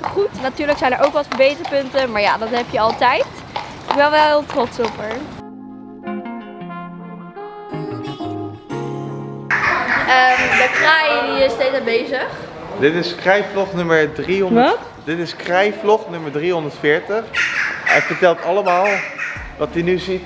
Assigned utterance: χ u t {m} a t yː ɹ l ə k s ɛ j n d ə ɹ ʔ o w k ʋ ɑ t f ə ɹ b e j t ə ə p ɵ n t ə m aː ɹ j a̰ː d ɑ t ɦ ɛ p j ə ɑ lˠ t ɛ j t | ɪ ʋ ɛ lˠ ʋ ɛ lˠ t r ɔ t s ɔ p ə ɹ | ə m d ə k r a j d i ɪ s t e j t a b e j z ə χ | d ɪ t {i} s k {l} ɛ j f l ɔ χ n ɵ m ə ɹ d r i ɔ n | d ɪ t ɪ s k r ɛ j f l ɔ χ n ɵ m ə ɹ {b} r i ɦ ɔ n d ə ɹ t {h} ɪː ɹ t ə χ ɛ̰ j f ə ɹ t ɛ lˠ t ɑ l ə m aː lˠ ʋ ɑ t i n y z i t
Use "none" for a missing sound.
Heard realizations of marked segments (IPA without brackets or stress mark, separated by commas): n, ɪ, r, d, f